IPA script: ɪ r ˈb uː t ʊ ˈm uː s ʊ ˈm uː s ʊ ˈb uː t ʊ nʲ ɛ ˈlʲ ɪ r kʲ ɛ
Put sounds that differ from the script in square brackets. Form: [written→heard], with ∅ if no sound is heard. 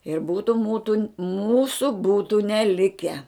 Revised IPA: ɪ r ˈb uː t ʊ ˈm uː [s→t] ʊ ˈm uː s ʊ ˈb uː t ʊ nʲ ɛ ˈlʲ ɪ [r→∅] kʲ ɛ